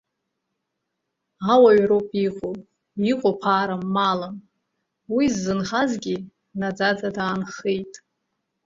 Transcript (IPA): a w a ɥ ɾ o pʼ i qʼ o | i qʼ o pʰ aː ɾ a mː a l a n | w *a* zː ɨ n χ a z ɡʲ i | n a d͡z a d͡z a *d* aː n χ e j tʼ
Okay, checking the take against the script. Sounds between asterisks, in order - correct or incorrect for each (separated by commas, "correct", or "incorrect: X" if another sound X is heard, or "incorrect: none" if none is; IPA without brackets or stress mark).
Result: incorrect: i, correct